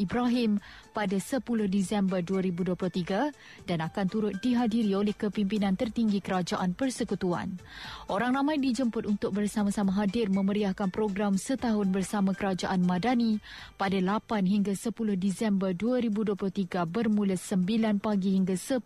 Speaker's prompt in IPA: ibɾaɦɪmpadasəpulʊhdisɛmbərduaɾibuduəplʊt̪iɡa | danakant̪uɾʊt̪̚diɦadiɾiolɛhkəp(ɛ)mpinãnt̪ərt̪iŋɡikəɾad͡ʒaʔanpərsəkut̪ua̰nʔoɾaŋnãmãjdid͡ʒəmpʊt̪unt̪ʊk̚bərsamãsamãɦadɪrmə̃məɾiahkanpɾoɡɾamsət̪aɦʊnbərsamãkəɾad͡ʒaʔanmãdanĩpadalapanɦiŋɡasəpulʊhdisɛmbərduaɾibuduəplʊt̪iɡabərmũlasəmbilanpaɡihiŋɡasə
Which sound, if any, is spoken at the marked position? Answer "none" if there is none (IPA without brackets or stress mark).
i